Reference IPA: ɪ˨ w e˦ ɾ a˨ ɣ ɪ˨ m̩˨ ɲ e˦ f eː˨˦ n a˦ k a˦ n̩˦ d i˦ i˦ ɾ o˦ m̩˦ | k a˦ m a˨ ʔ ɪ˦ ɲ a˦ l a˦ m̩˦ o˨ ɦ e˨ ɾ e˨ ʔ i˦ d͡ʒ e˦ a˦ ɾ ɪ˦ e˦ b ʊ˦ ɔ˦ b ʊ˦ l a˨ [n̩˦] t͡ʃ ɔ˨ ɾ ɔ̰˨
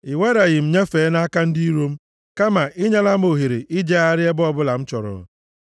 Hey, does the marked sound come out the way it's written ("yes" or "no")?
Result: no